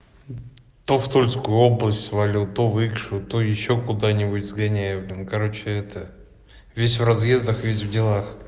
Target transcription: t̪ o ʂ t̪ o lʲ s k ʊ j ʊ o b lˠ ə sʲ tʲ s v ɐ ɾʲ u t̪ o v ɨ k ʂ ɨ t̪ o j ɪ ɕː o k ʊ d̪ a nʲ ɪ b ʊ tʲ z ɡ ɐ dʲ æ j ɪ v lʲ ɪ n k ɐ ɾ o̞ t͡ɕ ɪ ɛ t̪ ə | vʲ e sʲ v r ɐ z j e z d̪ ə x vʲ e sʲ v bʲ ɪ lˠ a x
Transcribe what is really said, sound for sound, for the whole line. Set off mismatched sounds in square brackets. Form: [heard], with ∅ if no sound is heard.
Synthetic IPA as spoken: t̪ o [f] t̪ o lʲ s k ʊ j ʊ o b lˠ ə sʲ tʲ s v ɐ [lʲ] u t̪ o v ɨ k ʂ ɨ t̪ o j ɪ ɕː o k ʊ d̪ a nʲ ɪ b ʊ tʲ z ɡ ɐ [nʲ] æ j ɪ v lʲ ɪ n k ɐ ɾ o̞ t͡ɕ ɪ ɛ t̪ ə | vʲ e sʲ v r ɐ z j e z d̪ ə x vʲ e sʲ v [dʲ] ɪ lˠ a x